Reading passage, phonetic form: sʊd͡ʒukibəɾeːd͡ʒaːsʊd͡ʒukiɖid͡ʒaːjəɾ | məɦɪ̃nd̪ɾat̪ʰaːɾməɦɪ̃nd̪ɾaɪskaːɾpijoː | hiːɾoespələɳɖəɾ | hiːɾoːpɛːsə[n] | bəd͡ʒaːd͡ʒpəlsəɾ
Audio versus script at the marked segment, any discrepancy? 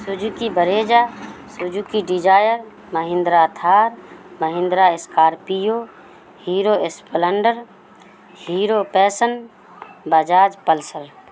no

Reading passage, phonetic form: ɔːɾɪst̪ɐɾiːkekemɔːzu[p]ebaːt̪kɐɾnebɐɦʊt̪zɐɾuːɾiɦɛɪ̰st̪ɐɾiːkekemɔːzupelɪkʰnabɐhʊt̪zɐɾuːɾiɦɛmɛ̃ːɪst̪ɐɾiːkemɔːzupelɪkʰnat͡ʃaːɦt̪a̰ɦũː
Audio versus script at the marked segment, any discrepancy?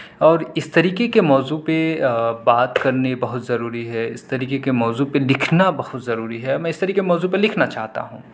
no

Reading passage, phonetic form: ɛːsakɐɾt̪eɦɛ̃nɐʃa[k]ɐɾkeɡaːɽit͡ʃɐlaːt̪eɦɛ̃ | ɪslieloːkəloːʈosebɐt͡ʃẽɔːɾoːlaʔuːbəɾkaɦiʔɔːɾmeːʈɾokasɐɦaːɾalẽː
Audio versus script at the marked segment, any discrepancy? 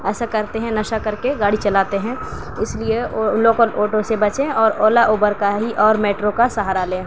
no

